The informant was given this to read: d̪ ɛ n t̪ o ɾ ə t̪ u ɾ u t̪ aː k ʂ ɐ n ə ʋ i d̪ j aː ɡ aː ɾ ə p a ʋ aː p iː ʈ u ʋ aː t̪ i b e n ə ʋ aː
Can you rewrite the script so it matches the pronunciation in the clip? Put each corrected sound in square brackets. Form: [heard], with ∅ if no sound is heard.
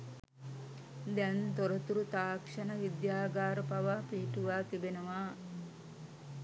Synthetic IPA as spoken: d̪ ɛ n t̪ o ɾ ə t̪ u ɾ u t̪ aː k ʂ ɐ n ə ʋ i d̪ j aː ɡ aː ɾ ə p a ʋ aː p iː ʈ u ʋ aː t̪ i b e n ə ʋ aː